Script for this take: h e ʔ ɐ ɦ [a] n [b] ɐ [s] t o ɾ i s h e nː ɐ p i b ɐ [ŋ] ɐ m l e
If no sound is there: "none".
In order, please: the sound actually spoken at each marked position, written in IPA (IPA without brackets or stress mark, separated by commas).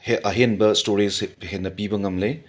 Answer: e, b, s, ŋ